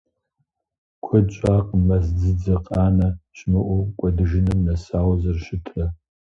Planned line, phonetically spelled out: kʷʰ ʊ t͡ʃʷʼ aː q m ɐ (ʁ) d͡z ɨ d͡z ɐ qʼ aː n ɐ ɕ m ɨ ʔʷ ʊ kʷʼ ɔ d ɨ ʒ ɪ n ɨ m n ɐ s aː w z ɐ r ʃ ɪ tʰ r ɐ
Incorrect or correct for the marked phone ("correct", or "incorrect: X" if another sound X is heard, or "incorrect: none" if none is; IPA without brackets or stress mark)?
incorrect: z